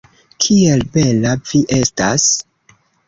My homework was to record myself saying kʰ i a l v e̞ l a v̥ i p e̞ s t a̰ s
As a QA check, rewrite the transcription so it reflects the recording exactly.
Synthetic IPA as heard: kʰ i e l b e̞ l a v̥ i ʔ e̞ s t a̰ s